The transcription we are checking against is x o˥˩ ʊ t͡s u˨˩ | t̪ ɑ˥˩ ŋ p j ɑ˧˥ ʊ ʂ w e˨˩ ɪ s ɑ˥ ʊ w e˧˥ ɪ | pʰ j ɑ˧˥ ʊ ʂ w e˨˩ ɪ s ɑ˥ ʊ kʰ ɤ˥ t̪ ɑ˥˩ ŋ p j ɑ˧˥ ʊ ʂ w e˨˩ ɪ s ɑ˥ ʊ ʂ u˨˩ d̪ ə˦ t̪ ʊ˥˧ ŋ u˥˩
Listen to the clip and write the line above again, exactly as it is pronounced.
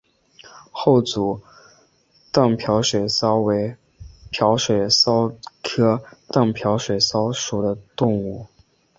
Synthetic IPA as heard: x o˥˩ ʊ t͡s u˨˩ | t̪ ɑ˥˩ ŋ pʰ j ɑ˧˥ ʊ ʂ w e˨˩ ɪ s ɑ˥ ʊ w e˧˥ ɪ | pʰ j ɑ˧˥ ʊ ʂ w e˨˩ ɪ s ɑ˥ ʊ kʰ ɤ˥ t̪ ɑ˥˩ ŋ pʰ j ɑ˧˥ ʊ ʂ w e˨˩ ɪ s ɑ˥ ʊ ʂ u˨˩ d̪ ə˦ t̪ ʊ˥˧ ŋ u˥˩